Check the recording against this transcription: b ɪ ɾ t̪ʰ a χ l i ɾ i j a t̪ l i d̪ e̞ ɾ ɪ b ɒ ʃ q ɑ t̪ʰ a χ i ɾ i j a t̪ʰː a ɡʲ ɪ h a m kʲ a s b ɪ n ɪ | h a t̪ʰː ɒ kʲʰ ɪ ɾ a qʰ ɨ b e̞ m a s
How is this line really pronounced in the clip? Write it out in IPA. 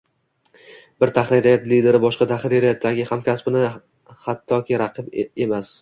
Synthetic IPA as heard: b ɪ ɾ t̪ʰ a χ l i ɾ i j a t̪ l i d̪ e̞ ɾ ɪ b ɒ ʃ q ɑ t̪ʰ a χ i ɾ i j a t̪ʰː a ɡʲ ɪ h a m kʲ a s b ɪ n ɪ | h a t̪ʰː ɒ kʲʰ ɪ ɾ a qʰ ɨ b e̞ m a s